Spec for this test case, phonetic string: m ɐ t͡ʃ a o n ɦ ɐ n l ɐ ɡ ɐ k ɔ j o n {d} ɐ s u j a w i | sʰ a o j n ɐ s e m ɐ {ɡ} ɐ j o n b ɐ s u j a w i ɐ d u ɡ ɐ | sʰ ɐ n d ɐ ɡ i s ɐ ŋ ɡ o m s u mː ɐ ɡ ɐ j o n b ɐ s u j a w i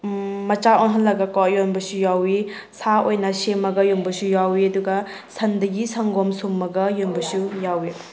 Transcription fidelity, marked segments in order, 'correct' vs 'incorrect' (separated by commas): incorrect, correct